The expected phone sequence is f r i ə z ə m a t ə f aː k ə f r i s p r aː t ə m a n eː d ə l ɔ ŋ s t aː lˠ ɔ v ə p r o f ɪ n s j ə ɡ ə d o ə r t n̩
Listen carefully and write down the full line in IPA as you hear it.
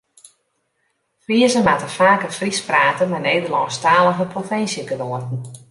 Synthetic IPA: f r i ə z ə m a t ə f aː k ə f r i s p r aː t ə m a n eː d ə l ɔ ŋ s t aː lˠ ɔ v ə p r o f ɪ n s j ə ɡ ə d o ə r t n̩